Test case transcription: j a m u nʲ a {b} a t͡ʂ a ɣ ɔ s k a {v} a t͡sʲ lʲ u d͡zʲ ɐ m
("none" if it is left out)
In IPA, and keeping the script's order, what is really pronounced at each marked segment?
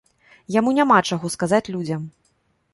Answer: m, z

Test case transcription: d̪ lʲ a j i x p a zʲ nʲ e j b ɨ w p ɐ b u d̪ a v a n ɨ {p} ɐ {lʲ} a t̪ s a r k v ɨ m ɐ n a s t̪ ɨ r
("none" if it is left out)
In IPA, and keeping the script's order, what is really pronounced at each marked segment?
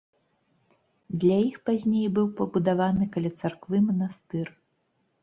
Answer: k, lʲ

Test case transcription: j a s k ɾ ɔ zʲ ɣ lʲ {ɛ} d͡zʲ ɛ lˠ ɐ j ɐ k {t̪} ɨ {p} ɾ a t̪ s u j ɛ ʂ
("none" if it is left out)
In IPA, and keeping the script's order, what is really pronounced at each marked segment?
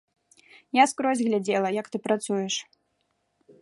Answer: a, t̪, p

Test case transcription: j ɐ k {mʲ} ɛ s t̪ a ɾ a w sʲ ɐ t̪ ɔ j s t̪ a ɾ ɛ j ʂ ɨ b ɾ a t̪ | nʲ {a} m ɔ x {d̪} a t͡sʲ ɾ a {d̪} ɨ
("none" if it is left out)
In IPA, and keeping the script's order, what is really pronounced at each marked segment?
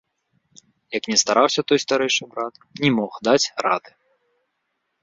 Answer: nʲ, ɛ, d̪, d̪

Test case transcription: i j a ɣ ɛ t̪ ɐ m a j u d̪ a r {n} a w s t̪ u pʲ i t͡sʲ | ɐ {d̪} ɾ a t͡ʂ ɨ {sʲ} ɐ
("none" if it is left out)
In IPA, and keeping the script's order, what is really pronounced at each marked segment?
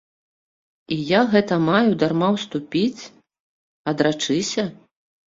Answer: m, d̪, sʲ

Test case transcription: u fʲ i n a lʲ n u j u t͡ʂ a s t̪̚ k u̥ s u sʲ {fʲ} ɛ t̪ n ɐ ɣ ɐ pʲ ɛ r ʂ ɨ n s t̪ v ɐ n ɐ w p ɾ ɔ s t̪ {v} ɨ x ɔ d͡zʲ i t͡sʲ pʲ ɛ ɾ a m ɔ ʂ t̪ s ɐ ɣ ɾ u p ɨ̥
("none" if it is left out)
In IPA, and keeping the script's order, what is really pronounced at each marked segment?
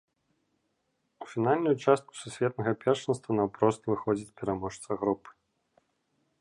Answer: vʲ, v

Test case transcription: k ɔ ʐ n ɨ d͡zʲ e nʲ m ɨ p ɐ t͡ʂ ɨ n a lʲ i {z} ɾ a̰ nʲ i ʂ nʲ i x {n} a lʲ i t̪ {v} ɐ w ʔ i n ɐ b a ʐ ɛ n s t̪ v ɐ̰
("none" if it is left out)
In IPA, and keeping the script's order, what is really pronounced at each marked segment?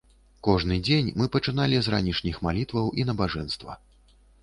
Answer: z, m, v

